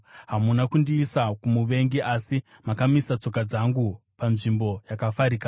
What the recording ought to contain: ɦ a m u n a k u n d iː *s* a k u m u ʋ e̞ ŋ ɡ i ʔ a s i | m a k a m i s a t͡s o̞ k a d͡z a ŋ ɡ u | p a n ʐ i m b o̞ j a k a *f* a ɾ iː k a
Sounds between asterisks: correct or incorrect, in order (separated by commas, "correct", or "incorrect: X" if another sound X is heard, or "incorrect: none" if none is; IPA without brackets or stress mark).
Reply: correct, correct